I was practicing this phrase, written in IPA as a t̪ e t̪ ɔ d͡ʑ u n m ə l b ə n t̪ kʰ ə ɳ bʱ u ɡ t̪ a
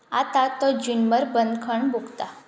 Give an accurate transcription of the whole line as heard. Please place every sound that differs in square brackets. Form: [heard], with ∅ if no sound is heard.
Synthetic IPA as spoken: a t̪ [a] t̪ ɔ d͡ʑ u n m ə [ɾ] b ə n [d̪] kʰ ə ɳ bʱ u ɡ t̪ a